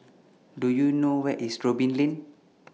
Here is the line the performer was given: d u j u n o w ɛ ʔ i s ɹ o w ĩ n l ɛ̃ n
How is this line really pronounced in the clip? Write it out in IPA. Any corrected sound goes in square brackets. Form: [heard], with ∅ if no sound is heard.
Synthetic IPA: d u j u n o w ɛ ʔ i s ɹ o [b] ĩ n l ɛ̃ n